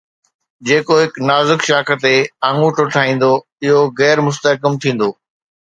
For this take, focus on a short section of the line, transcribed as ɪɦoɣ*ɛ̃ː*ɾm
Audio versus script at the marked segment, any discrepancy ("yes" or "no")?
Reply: yes